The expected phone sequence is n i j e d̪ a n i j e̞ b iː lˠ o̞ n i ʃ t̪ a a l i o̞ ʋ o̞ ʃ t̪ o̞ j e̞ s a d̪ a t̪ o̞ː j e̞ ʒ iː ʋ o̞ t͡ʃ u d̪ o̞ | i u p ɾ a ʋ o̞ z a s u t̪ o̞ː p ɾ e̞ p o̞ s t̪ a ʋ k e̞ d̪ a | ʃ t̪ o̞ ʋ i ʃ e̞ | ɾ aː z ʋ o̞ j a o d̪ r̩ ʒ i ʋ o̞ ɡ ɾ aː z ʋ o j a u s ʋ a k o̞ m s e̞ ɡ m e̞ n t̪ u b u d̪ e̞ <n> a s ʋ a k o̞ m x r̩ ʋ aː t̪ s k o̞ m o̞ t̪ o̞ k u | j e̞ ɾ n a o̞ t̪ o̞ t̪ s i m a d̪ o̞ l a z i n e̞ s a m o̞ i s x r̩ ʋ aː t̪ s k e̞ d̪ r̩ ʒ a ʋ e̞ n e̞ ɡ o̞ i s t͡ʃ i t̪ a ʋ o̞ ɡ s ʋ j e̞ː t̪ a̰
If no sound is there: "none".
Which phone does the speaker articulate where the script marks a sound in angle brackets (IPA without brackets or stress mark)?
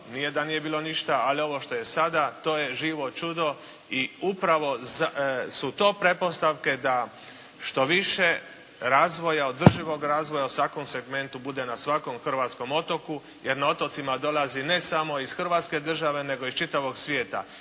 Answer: n